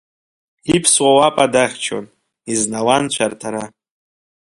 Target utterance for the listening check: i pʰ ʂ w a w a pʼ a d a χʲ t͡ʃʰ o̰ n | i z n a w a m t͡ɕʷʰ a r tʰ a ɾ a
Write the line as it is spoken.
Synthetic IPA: i pʰ s w a w a pʼ a d a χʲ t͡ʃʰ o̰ n | i z n a w a n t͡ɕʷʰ a r tʰ a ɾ a